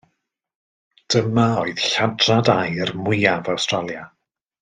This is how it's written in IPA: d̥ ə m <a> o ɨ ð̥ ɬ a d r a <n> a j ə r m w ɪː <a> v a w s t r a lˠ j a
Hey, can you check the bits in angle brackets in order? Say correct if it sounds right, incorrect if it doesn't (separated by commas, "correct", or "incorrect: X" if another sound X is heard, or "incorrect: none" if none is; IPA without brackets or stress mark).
correct, incorrect: d, correct